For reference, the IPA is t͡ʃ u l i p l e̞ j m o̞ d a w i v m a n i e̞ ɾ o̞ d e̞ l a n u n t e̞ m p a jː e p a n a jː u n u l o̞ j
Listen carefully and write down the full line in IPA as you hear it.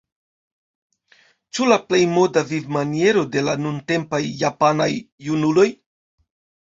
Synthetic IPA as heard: t͡ʃ u l a p l e̞ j m o̞ d a v i v m a n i e̞ ɾ o̞ d e̞ l a n u n t e̞ m p a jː a p a n a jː u n u l o̞ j